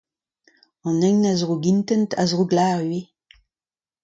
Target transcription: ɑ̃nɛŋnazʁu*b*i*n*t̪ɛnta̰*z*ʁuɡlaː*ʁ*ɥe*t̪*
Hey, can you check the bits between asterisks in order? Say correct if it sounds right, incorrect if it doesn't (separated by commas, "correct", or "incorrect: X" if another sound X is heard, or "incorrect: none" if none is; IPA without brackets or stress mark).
incorrect: ɡ, correct, correct, correct, incorrect: none